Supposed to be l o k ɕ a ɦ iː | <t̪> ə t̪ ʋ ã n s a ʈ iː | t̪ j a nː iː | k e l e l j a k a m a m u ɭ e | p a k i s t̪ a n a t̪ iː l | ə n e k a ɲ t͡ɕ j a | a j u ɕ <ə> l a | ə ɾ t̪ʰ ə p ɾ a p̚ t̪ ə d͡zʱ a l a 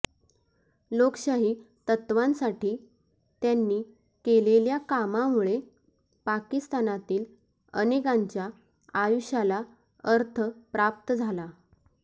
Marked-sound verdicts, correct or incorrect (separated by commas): correct, incorrect